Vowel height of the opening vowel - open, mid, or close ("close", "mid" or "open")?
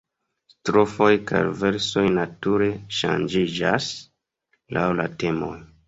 mid